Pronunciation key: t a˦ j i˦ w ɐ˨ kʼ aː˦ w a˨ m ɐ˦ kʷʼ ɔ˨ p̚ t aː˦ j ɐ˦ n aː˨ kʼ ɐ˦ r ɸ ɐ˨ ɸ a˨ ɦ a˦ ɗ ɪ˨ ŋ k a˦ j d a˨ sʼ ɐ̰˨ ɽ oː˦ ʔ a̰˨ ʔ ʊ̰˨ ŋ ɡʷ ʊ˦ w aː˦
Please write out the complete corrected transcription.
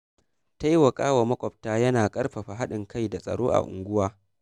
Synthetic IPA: t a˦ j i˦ w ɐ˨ kʼ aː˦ w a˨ m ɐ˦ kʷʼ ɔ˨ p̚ t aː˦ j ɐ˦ n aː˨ kʼ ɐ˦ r ɸ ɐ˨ ɸ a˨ ɦ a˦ ɗ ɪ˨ ŋ k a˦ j d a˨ sʼ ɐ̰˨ ɽ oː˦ ʔ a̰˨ ʔ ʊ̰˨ ŋ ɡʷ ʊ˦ w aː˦